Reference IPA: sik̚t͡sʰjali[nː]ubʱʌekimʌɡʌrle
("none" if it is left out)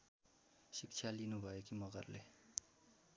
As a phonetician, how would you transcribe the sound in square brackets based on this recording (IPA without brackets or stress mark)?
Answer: n